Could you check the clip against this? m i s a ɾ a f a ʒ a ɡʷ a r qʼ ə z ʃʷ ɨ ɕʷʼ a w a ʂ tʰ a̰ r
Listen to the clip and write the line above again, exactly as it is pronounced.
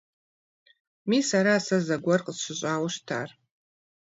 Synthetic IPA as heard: m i s a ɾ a s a z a ɡʷ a r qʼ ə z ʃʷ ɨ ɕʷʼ a w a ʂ tʰ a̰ r